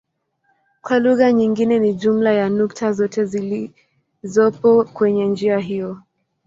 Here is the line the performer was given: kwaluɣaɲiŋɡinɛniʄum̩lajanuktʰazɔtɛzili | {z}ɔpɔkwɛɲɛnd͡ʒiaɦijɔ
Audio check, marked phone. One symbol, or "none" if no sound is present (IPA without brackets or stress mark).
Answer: z